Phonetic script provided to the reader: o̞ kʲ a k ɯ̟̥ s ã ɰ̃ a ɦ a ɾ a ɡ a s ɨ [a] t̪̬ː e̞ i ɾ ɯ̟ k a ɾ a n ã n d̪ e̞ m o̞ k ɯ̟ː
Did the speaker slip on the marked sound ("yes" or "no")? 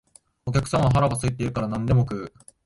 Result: yes